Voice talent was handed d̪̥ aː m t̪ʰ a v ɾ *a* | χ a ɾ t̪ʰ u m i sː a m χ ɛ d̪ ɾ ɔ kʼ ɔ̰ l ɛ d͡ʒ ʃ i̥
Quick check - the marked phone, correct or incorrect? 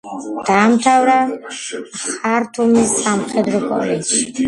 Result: correct